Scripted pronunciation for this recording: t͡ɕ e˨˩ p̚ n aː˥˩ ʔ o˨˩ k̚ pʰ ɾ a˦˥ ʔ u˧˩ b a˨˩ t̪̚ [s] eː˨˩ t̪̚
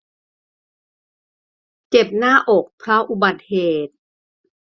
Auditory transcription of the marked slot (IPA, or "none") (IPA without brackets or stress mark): h